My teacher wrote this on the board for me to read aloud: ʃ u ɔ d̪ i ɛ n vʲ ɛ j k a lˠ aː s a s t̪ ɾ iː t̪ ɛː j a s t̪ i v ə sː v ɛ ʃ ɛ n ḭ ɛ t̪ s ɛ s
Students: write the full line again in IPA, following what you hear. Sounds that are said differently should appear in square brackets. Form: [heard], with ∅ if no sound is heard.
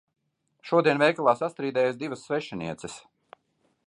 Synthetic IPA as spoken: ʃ u ɔ d̪ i ɛ n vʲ ɛ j k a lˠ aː s a s t̪ ɾ iː [d̪] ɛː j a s [d̪] i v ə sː v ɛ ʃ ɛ n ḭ ɛ t̪ s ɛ s